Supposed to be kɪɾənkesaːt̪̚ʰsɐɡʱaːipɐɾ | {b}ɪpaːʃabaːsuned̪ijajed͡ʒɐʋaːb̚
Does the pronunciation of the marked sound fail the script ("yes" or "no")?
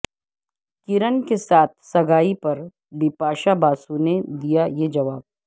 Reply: no